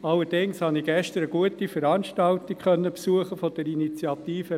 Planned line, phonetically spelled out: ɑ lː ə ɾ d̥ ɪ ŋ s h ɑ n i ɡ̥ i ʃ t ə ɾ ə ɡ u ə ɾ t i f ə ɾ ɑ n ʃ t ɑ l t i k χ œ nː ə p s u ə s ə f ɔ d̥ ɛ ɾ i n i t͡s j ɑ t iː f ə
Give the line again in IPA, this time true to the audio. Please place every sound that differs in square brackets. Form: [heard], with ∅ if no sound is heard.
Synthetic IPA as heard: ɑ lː ə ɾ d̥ ɪ ŋ s h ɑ n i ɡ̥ [ɛ] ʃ t ə ɾ ə ɡ u ə [∅] t i f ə ɾ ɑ n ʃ t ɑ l t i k χ œ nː ə p s u ə [χ] ə f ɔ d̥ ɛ ɾ i n i t͡s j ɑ t iː f ə